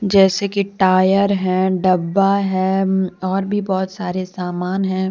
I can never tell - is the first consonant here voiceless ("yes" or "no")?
no